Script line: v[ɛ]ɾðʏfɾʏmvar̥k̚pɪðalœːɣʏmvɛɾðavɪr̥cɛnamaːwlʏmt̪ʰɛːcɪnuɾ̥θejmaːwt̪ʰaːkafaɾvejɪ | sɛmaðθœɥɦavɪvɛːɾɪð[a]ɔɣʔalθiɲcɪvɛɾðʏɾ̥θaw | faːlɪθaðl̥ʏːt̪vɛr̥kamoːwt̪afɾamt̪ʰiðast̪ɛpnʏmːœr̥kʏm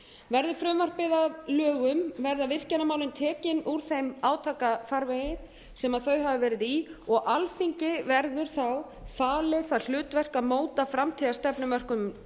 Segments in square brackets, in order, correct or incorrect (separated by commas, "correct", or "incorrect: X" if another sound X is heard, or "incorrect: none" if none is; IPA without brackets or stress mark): correct, incorrect: i